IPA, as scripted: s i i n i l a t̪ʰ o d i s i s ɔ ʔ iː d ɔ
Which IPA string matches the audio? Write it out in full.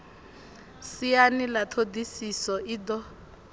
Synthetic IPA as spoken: s i a n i l a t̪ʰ o d i s i s ɔ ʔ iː d ɔ